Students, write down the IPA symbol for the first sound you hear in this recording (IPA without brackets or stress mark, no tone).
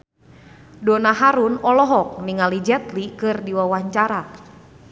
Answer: d